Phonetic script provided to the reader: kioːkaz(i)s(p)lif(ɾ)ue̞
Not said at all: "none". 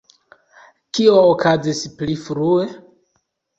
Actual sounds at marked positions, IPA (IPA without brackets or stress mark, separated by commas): i, p, ɾ